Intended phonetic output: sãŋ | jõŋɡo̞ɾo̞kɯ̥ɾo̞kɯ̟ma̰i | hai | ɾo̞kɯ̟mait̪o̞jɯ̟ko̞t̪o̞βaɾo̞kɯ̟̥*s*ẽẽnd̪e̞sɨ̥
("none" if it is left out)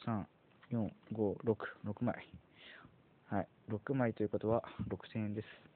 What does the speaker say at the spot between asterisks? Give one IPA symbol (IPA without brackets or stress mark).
s